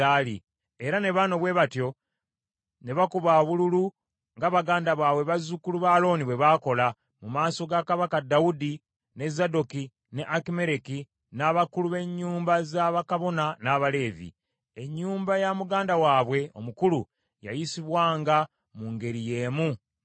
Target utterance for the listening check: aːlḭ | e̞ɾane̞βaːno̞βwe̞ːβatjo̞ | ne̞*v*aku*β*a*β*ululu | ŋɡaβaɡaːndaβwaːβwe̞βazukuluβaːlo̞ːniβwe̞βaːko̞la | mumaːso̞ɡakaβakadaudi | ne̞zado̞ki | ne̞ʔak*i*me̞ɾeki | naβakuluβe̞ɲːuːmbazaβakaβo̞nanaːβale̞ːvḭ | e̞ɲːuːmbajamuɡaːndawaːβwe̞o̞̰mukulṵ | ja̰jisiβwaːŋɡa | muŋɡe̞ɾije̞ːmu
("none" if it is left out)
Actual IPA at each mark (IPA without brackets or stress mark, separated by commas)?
β, β, β, i